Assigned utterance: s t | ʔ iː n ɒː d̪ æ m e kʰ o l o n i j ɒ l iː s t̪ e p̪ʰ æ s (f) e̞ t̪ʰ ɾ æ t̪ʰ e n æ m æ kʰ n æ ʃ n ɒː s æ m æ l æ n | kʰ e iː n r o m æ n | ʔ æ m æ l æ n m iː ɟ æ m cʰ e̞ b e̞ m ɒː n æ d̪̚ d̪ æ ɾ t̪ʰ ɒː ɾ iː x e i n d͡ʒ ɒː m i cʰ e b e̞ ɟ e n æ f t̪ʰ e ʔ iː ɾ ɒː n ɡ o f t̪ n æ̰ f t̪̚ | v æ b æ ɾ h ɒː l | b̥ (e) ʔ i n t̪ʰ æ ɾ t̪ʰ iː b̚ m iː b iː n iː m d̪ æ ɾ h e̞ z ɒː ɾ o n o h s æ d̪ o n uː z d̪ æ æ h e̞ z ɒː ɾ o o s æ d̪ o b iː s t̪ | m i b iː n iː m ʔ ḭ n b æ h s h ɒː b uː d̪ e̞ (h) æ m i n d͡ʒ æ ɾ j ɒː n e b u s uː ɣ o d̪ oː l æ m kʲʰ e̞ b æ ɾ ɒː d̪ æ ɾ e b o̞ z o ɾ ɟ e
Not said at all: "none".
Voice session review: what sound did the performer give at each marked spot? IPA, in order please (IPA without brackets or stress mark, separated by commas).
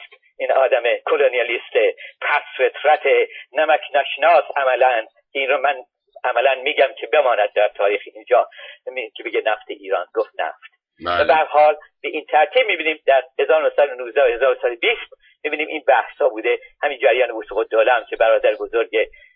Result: f, e, h